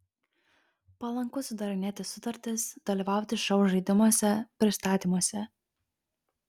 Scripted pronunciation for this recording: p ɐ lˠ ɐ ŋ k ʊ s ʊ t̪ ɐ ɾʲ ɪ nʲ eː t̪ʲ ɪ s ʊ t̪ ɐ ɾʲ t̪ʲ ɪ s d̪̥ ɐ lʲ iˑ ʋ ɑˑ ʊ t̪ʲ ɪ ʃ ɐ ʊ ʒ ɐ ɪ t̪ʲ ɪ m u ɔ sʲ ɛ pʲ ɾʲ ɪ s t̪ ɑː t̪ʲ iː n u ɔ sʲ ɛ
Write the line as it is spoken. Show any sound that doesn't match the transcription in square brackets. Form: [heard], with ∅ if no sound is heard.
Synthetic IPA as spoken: p ɐ lˠ ɐ ŋ k ʊ s ʊ [d̪] ɐ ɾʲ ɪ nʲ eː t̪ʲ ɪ s ʊ t̪ ɐ ɾʲ t̪ʲ ɪ s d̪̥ ɐ lʲ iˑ ʋ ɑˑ ʊ t̪ʲ ɪ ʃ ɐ ʊ ʒ ɐ ɪ [d̪ʲ] ɪ m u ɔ sʲ ɛ pʲ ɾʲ ɪ s t̪ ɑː t̪ʲ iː [m] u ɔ sʲ ɛ

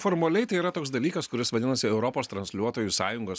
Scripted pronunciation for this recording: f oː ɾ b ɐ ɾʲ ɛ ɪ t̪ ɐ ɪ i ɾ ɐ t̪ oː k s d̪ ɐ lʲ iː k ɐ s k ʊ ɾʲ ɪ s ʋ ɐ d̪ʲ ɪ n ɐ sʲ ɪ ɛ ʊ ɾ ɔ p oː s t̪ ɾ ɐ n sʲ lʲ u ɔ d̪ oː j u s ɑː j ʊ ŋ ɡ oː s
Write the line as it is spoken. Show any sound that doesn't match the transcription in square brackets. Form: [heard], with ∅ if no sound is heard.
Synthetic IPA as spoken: f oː ɾ [m] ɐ [lʲ] ɛ ɪ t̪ ɐ ɪ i ɾ ɐ t̪ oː k s d̪ ɐ lʲ iː k ɐ s k ʊ ɾʲ ɪ s ʋ ɐ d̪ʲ ɪ n ɐ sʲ ɪ ɛ ʊ ɾ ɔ p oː s t̪ ɾ ɐ n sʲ lʲ u ɔ [t̪] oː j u s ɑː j ʊ ŋ ɡ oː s

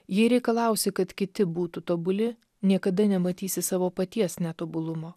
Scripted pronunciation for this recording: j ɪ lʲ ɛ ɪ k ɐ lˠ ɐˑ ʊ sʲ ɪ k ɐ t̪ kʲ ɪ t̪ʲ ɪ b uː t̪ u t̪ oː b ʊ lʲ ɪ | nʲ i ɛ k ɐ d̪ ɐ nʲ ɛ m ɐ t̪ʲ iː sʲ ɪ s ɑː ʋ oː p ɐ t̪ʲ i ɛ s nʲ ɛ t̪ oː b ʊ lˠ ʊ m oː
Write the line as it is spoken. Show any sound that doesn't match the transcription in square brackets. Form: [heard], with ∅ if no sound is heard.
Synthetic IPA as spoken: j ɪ [ɾʲ] ɛ ɪ k ɐ lˠ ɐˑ ʊ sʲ ɪ k ɐ t̪ kʲ ɪ t̪ʲ ɪ b uː t̪ u t̪ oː b ʊ lʲ ɪ | nʲ i ɛ k ɐ d̪ ɐ nʲ ɛ m ɐ t̪ʲ iː sʲ ɪ s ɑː ʋ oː p ɐ t̪ʲ i ɛ s nʲ ɛ t̪ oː b ʊ lˠ ʊ m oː

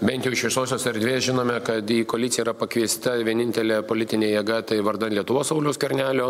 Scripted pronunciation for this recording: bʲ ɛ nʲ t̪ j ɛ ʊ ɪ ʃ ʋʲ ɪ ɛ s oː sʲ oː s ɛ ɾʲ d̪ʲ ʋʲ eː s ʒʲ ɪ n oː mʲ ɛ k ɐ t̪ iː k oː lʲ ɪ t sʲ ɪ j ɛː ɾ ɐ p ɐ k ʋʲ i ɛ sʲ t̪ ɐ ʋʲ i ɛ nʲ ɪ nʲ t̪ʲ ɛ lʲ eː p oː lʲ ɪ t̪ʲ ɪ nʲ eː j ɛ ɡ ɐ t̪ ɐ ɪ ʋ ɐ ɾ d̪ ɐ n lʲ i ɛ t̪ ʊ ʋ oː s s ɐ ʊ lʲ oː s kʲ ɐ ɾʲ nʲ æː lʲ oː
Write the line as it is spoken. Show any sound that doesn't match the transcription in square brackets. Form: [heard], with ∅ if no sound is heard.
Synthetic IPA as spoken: bʲ ɛ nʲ t̪ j ɛ ʊ ɪ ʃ ʋʲ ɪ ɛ s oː sʲ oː s ɛ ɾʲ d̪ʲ ʋʲ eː s ʒʲ ɪ n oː mʲ ɛ k ɐ t̪ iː k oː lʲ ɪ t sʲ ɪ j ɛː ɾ ɐ p ɐ k ʋʲ i ɛ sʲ t̪ ɐ ʋʲ i ɛ nʲ ɪ nʲ t̪ʲ ɛ lʲ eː p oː lʲ ɪ t̪ʲ ɪ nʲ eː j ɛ ɡ ɐ t̪ ɐ ɪ ʋ ɐ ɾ d̪ ɐ n lʲ i ɛ t̪ ʊ ʋ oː s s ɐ ʊ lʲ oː s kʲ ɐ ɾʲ nʲ æː lʲ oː

